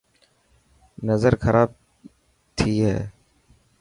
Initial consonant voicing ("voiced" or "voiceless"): voiced